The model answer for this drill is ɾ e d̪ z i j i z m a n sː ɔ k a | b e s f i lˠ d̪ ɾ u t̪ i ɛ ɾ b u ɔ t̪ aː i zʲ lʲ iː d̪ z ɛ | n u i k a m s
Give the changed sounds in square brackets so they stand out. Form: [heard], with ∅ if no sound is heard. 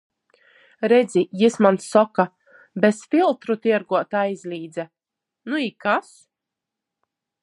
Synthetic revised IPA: ɾ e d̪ z i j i [s] m a n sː ɔ k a | b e s f i lˠ [t̪] ɾ u t̪ i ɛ ɾ [ɡ] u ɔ t̪ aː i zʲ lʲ iː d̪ z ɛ | n u i k a [∅] s